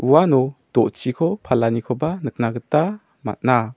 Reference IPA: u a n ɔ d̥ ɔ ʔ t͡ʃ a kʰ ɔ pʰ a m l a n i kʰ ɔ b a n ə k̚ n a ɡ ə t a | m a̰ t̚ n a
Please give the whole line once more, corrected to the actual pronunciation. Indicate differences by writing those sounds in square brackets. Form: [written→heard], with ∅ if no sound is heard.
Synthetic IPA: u a n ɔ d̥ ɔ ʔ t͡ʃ [a→i] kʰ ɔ pʰ a [m→∅] l a n i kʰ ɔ b a n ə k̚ n a ɡ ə t a | m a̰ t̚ n a